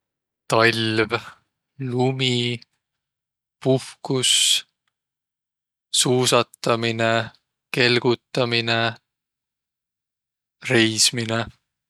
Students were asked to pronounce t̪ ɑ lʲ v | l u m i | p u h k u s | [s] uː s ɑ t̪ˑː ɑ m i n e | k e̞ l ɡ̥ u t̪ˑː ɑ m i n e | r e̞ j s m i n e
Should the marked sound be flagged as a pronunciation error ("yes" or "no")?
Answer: no